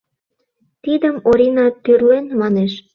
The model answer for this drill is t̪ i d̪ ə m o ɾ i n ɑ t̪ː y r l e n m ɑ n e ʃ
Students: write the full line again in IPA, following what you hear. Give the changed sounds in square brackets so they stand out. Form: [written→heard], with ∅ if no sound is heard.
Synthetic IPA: t̪ i d̪ ə m o ɾ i n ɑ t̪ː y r l e n m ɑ n e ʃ